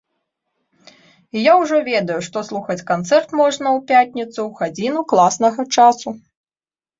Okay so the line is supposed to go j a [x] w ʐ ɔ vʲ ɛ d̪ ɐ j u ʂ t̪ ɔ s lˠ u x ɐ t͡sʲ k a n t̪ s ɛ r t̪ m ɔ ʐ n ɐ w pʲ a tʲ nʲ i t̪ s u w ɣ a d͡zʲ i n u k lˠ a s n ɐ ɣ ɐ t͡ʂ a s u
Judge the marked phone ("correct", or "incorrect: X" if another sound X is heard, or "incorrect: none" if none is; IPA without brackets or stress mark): incorrect: none